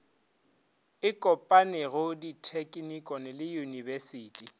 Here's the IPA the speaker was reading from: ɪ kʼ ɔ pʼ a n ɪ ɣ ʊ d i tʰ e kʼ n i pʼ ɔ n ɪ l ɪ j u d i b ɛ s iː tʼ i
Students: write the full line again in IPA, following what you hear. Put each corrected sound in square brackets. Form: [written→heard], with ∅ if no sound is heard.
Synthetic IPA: ɪ kʼ ɔ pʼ a n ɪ ɣ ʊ d i tʰ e kʼ n i [pʼ→kʼ] ɔ n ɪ l ɪ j u [d→n] i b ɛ s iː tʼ i